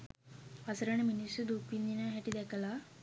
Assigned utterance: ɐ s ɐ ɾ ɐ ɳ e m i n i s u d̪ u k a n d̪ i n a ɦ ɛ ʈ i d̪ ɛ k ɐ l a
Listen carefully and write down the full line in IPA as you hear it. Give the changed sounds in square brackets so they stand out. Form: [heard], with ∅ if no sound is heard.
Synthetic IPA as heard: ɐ s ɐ ɾ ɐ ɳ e m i n i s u d̪ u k [i] n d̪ i n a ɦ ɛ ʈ i d̪ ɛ k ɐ l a